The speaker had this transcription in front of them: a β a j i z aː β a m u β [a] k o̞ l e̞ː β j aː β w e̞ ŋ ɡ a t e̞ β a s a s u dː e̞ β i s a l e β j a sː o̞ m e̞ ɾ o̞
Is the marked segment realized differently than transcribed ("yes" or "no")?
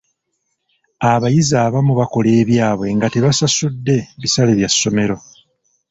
no